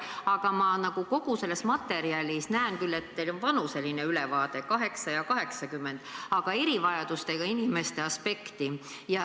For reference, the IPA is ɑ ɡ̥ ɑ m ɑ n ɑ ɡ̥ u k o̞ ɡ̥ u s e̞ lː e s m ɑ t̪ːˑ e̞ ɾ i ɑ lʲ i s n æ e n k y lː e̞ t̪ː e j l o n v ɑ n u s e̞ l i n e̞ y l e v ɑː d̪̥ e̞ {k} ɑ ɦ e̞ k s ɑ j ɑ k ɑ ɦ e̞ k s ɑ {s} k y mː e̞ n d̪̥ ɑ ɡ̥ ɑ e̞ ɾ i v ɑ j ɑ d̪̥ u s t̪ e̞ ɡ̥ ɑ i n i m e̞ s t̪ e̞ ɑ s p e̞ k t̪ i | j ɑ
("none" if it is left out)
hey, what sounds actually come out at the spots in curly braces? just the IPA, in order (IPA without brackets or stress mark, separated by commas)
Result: k, none